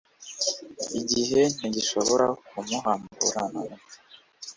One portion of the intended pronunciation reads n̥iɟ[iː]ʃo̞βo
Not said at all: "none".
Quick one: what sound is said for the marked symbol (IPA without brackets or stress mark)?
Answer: i